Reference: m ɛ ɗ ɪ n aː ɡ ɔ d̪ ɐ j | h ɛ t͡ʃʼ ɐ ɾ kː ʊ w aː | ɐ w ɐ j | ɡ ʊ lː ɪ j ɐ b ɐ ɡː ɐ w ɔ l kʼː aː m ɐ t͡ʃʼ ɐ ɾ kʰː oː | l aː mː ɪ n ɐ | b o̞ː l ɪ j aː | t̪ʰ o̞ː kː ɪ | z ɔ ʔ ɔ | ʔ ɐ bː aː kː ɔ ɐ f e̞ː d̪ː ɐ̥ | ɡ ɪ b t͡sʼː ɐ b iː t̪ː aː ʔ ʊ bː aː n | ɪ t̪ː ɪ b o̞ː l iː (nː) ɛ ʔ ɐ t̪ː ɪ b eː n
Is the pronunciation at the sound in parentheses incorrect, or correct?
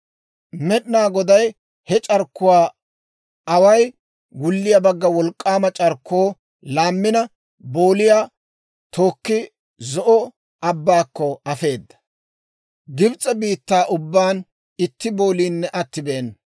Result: correct